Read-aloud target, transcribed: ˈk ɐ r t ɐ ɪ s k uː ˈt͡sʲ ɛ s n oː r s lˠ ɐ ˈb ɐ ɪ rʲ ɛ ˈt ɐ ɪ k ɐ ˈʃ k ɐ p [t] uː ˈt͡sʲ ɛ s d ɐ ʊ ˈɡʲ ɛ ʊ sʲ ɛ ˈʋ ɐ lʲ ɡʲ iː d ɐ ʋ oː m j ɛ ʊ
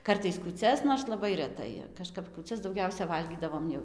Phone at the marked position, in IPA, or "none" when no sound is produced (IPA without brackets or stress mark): k